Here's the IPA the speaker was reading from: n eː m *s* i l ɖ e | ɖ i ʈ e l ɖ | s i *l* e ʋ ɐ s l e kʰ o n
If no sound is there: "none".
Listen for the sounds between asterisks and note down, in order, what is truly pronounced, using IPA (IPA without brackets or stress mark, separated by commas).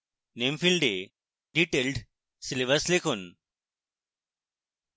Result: f, l